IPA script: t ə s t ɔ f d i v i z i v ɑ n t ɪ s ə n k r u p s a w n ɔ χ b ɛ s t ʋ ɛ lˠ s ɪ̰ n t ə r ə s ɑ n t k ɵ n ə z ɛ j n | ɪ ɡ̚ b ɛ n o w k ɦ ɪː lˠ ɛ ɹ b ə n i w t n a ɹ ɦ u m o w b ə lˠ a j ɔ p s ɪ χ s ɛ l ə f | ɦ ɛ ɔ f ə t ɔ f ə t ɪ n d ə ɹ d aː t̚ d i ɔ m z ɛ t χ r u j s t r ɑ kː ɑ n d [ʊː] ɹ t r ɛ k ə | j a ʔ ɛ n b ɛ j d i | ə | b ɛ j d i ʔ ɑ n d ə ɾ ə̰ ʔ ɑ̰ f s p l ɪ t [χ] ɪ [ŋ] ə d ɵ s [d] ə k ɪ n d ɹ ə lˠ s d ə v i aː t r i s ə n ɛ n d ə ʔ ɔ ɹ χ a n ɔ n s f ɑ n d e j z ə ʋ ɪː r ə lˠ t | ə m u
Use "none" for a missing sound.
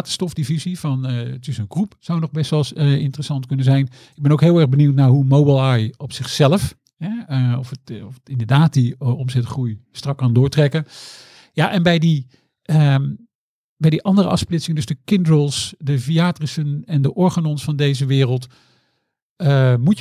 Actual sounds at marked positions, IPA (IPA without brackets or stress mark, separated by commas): ʊː, s, ŋ, d